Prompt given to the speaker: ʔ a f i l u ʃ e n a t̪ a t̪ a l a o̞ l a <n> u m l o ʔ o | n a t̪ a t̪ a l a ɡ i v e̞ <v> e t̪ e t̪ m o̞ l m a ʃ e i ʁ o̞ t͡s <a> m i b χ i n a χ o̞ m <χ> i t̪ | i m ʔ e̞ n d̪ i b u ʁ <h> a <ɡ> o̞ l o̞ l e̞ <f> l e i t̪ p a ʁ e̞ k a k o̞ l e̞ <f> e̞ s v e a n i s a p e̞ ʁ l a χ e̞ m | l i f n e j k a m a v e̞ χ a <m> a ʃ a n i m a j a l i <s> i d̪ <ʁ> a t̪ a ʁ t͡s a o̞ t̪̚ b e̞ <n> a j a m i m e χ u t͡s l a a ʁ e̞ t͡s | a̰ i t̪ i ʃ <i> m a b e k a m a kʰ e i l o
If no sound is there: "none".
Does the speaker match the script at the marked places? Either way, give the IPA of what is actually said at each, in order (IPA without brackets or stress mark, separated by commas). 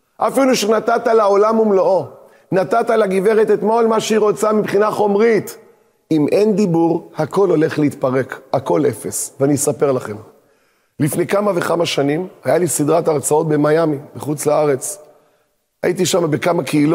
m, ʁ, a, ʁ, h, k, χ, f, m, s, ʁ, m, a